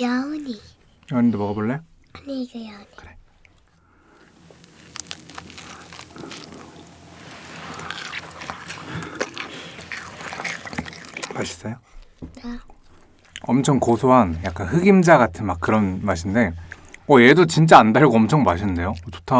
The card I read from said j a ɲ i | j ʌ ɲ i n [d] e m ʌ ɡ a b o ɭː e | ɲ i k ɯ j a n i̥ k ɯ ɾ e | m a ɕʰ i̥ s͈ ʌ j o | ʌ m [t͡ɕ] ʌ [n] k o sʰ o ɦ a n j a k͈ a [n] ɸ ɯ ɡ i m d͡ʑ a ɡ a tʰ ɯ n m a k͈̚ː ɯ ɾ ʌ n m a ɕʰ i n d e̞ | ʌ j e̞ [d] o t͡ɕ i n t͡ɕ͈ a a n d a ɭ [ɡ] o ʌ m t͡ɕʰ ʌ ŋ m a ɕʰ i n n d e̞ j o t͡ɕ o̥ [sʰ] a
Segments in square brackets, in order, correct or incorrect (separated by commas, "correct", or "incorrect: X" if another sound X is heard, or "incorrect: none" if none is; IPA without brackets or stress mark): correct, incorrect: t͡ɕʰ, incorrect: ŋ, correct, correct, correct, incorrect: tʰ